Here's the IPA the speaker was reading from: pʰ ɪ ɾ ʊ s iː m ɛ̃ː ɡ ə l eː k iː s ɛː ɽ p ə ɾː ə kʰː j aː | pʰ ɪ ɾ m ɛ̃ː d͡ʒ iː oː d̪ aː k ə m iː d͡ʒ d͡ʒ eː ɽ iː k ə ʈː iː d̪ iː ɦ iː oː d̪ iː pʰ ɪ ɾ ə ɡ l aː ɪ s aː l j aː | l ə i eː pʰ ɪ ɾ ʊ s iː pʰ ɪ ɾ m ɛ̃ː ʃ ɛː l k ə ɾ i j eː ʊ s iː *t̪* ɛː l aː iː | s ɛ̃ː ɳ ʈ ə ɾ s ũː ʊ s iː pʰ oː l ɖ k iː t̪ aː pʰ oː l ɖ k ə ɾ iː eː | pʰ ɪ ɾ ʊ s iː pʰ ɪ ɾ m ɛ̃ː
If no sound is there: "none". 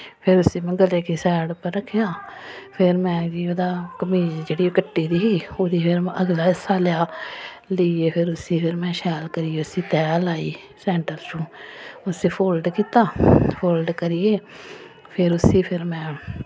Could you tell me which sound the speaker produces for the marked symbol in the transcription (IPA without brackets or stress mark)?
t̪